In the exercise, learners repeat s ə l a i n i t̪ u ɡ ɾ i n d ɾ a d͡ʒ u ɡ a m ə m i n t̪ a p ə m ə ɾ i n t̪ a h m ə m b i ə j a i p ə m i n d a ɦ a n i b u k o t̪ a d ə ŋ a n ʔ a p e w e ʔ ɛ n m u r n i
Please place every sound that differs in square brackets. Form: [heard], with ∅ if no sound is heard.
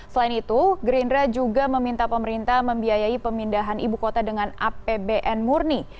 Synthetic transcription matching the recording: s ə l a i n i t̪ u ɡ ɾ i n d ɾ a d͡ʒ u ɡ a m ə m i n t̪ a p ə m ə ɾ i n t̪ a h m ə m b i [a] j a i p ə m i n d a ɦ a n i b u k o t̪ a d ə ŋ a n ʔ a p e [b] e ʔ ɛ n m u r n i